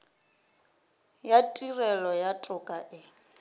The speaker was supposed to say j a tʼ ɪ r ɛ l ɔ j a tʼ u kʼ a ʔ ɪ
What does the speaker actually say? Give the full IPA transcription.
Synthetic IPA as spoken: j a tʼ i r ɛ l ɔ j a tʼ ʊ kʼ a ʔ ɪ